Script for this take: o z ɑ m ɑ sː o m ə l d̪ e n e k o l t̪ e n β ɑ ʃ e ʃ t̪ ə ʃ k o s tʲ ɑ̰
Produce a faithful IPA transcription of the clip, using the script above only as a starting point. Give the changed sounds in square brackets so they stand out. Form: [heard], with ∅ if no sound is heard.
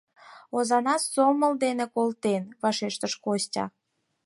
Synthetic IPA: o z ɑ [n] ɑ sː o m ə l d̪ e n e k o l t̪ e n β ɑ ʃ e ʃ t̪ ə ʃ k o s tʲ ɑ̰